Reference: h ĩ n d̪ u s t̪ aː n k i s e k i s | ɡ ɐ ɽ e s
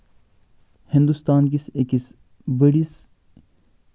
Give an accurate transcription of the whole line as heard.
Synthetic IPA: h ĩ n d̪ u s t̪ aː n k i s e k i s | b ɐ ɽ i s